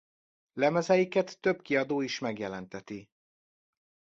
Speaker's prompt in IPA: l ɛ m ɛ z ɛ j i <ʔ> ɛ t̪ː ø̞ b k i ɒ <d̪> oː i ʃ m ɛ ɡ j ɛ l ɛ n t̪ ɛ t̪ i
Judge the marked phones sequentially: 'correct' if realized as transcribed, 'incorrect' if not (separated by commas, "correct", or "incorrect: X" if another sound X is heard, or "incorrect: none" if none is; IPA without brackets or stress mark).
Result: incorrect: k, correct